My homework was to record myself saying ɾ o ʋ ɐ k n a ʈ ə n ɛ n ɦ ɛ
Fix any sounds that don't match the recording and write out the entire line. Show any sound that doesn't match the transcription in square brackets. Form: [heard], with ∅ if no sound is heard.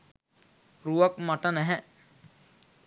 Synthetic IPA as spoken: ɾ [u] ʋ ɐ k [m] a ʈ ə n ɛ [∅] ɦ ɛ

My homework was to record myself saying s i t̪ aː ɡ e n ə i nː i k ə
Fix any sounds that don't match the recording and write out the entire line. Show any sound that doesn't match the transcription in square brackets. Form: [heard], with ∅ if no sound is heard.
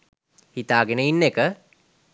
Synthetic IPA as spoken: [h] i t̪ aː ɡ e n ə i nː [e] k ə

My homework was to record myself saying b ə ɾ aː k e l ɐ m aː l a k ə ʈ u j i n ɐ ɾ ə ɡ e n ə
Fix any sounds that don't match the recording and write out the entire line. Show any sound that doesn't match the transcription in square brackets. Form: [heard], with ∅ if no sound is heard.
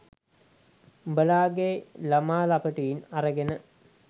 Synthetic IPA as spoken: b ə [l] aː [ɡ] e l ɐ m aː l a [p] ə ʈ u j i n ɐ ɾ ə ɡ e n ə

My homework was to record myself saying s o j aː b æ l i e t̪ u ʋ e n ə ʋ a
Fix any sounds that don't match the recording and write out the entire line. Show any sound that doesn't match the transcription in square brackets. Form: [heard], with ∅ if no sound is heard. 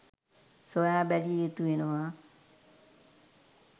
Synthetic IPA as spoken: s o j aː b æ l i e t̪ u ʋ e n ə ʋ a

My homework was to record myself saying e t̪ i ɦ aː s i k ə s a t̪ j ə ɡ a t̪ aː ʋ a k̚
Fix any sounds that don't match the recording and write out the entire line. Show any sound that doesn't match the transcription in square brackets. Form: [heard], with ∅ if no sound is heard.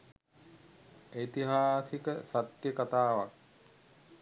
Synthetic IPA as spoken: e t̪ i ɦ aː s i k ə s a t̪ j ə [k] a t̪ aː ʋ a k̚

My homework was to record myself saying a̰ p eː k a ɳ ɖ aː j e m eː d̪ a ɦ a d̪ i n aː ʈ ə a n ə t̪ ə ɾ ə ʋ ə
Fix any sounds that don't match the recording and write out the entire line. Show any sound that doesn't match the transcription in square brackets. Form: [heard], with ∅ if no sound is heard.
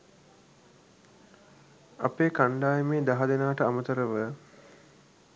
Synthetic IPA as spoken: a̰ p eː k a ɳ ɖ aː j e m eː d̪ a ɦ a d̪ [e] n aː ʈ ə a [m] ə t̪ ə ɾ ə ʋ ə

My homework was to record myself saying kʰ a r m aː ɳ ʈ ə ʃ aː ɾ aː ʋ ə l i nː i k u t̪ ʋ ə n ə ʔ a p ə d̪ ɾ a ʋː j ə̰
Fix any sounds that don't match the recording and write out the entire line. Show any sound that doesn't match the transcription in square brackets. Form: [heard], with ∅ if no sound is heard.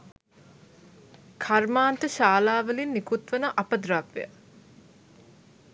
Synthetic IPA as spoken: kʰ a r m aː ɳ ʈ ə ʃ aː [l] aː ʋ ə l i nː i k u t̪ ʋ ə n ə ʔ a p ə d̪ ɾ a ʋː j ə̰

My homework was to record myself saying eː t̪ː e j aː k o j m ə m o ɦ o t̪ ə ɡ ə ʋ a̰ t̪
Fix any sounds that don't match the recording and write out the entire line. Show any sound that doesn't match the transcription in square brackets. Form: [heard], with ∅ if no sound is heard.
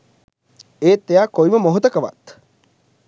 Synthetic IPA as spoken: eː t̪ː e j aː k o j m ə m o ɦ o t̪ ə [k] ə ʋ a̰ t̪

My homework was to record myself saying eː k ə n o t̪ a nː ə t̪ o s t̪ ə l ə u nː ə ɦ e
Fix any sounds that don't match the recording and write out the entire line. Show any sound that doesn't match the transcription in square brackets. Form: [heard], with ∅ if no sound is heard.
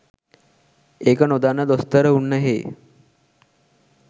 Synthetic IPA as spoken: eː k ə n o [d̪] a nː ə [d̪] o s t̪ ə [ɾ] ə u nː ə ɦ e

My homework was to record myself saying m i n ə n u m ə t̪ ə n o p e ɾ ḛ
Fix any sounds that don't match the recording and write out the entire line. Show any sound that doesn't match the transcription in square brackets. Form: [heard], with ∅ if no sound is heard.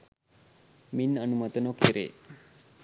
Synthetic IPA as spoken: m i n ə n u m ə t̪ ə n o [k] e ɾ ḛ

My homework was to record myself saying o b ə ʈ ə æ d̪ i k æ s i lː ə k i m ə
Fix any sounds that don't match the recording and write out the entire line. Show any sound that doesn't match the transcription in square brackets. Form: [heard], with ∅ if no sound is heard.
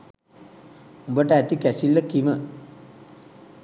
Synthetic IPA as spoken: [u] b ə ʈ ə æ [t̪] i k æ s i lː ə k i m ə

